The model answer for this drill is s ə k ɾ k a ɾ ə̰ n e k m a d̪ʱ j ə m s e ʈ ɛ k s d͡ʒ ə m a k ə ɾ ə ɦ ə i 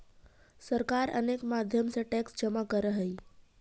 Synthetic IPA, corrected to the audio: s ə ɾ k a ɾ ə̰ n e k m a d̪ʱ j ə m s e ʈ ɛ k s d͡ʒ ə m a k ə ɾ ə ɦ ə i